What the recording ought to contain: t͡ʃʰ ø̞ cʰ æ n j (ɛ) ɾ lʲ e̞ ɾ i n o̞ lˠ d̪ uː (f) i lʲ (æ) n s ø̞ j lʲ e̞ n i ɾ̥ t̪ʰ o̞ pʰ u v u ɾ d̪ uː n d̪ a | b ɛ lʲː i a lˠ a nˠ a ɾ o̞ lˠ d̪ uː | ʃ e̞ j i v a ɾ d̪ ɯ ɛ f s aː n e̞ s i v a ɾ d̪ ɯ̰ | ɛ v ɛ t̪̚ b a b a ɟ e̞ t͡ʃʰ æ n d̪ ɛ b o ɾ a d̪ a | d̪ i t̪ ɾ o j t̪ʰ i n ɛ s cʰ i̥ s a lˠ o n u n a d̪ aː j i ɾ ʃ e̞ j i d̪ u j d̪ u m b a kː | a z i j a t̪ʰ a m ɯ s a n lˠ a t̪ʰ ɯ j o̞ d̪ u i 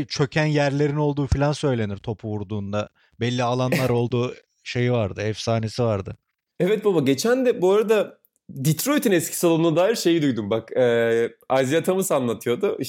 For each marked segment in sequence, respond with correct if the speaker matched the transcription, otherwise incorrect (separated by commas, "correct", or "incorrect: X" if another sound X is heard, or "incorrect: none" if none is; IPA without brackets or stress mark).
incorrect: æ, correct, incorrect: a